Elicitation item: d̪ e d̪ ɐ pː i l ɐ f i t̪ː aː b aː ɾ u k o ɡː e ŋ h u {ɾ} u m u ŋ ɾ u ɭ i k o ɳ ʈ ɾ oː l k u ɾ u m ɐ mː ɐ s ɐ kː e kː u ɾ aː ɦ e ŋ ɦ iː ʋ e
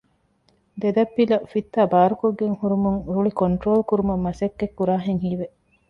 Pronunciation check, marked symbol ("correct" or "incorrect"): correct